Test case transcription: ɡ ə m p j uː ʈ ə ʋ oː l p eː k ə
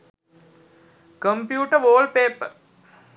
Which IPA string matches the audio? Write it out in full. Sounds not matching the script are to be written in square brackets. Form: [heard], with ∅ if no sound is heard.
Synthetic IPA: [k] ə m p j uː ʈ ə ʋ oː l p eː [p] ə

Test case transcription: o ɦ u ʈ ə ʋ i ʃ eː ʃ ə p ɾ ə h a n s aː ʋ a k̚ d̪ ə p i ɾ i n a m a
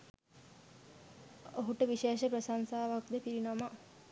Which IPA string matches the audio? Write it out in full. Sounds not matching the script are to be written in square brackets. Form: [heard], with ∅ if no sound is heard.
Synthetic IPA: o ɦ u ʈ ə ʋ i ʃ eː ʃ ə p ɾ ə [s] a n s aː ʋ a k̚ d̪ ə p i ɾ i n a m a

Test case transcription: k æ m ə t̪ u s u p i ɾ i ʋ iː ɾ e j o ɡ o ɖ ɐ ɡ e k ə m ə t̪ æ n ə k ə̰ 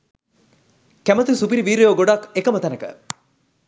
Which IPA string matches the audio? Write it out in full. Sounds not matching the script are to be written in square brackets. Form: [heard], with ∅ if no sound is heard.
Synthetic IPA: k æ m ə t̪ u s u p i ɾ i ʋ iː ɾ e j o ɡ o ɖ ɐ [k] e k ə m ə t̪ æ n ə k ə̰

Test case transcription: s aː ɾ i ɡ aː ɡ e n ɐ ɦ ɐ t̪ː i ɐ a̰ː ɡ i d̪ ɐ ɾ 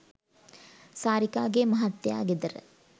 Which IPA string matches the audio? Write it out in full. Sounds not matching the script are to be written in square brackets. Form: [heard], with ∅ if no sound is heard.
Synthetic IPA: s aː ɾ i [k] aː ɡ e [m] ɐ ɦ ɐ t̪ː [j] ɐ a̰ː ɡ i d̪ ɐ ɾ

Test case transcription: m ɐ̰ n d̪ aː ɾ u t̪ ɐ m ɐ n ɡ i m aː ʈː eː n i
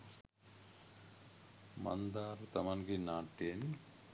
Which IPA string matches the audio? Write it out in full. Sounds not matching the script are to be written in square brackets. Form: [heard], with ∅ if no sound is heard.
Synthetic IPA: m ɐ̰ n d̪ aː ɾ u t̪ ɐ m ɐ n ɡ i [n] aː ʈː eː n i

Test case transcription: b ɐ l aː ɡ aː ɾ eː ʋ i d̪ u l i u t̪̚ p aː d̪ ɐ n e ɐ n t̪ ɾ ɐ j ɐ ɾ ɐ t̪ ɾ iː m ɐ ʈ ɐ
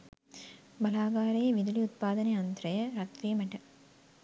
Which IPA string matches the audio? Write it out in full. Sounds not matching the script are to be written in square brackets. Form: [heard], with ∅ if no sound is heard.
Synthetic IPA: b ɐ l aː ɡ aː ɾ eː ʋ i d̪ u l i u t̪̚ p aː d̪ ɐ n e ɐ n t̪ ɾ ɐ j ɐ ɾ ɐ t̪ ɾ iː m ɐ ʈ ɐ

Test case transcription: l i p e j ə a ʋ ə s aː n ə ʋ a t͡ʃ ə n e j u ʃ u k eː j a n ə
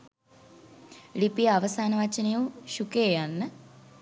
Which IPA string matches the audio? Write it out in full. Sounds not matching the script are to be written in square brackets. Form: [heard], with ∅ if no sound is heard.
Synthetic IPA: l i p [i] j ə a ʋ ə s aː n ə ʋ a t͡ʃ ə n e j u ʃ u k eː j a [nː] ə

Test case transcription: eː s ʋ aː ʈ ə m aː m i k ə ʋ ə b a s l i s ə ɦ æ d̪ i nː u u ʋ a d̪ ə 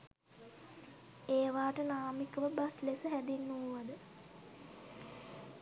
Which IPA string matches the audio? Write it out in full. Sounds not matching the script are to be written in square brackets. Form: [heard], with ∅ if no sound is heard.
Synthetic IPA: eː [∅] ʋ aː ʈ ə [n] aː m i k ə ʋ ə b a s l [e] s ə ɦ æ d̪ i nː u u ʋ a d̪ ə

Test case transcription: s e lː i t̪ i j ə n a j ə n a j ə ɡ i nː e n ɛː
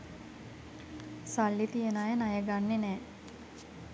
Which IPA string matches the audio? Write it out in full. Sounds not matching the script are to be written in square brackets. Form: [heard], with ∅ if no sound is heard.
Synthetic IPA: s [a] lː i t̪ i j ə n a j ə n a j ə ɡ [a] nː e n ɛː

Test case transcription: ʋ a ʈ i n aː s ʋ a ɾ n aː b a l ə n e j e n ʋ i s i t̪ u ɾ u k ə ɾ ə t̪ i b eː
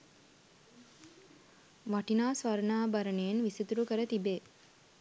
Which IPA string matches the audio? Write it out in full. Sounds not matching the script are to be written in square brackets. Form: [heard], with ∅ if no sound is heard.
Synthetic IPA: ʋ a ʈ i n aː s ʋ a ɾ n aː b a [ɾ] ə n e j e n ʋ i s i t̪ u ɾ u k ə ɾ ə t̪ i b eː

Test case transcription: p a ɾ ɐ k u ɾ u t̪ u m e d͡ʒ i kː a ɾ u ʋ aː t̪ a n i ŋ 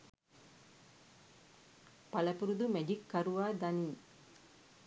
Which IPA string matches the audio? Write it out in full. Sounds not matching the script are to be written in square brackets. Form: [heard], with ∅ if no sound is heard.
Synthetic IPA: p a [l] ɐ [p] u ɾ u [d̪] u m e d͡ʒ i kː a ɾ u ʋ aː [d̪] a n i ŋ

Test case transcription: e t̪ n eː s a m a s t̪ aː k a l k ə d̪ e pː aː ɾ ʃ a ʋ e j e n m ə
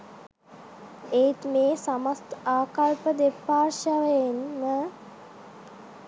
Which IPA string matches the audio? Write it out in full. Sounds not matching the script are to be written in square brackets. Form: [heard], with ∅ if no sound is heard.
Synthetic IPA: e t̪ [m] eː s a m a s t̪ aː k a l [p] ə d̪ e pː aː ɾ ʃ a ʋ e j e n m ə

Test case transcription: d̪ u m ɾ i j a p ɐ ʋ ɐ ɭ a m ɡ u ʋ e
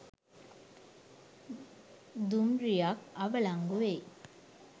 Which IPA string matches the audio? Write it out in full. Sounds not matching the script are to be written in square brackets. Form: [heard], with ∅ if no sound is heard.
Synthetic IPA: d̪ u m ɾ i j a [k] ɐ ʋ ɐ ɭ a [ŋ] ɡ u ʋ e

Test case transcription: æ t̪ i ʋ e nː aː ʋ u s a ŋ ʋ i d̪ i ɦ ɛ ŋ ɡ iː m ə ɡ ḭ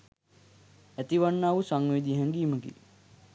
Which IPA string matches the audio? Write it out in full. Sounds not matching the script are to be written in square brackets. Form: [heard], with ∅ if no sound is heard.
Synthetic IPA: æ t̪ i ʋ [a] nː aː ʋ u s a ŋ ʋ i d̪ i ɦ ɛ ŋ ɡ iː m ə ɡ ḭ

